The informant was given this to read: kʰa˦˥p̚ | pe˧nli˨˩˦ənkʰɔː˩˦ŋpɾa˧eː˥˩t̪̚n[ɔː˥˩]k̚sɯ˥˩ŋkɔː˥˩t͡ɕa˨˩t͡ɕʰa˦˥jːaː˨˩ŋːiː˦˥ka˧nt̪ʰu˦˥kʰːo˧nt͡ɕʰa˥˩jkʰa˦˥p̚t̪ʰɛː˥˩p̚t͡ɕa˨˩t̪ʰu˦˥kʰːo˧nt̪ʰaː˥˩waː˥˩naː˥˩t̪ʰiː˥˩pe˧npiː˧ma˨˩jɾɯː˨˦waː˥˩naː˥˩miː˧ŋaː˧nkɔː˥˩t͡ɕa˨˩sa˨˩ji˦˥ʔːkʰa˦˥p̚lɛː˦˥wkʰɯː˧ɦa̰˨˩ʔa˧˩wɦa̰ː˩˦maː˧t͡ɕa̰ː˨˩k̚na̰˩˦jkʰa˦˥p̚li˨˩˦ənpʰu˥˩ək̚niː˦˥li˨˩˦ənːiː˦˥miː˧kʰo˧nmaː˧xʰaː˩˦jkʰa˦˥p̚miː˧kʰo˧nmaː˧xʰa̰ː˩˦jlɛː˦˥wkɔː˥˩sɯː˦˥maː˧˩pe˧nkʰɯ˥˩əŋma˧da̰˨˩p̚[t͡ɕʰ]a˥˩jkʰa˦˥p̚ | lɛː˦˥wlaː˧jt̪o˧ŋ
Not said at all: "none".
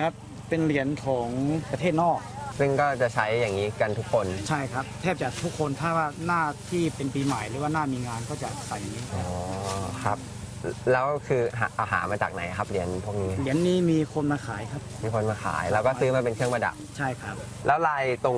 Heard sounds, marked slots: ɔː˥˩, t͡ɕʰ

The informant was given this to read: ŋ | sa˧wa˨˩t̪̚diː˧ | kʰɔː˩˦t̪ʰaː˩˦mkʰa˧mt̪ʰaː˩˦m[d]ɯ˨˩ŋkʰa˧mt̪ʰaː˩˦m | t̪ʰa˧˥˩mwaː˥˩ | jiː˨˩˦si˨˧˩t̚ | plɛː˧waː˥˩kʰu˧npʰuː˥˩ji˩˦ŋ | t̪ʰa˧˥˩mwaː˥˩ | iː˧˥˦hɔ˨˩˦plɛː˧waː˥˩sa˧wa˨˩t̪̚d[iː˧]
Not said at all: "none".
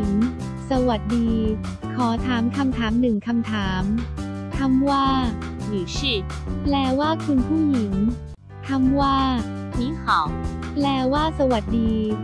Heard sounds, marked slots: n, iː˧

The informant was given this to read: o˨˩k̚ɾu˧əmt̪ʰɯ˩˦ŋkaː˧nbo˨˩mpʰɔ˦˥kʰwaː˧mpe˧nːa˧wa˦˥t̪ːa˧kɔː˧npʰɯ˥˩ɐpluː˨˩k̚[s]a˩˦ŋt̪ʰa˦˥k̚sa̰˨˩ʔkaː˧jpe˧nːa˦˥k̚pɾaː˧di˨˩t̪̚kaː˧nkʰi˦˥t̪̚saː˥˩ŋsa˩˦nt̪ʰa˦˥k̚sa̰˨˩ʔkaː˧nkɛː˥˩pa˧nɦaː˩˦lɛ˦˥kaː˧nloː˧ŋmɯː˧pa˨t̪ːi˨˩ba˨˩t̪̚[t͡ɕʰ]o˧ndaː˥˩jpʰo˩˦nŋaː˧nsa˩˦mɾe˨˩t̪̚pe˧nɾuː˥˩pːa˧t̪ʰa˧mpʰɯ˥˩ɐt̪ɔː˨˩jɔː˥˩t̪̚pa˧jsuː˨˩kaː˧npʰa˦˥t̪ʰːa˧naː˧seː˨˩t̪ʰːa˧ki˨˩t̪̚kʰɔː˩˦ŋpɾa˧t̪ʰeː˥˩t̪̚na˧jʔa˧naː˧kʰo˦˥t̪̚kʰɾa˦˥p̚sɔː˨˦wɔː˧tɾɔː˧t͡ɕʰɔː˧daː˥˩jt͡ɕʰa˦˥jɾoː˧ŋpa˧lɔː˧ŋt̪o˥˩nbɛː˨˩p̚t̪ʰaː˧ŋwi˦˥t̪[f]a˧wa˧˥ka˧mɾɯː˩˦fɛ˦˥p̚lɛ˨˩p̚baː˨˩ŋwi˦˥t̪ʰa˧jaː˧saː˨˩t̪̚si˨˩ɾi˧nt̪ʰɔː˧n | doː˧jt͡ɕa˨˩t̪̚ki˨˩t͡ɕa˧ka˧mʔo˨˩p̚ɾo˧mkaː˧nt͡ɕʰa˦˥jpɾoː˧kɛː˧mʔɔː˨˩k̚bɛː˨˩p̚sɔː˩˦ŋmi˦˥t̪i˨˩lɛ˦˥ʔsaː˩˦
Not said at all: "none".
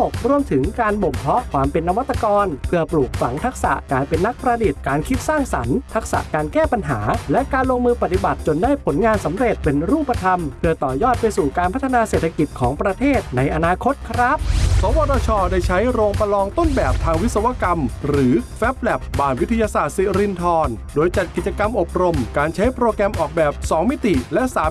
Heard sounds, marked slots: f, t͡ɕ, s

